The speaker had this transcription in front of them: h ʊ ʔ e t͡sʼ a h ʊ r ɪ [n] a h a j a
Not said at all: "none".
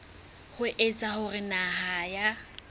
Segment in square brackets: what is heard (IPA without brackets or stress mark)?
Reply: n